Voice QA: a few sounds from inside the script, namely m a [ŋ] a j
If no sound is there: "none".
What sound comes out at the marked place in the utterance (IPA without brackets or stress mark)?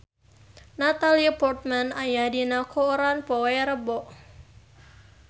n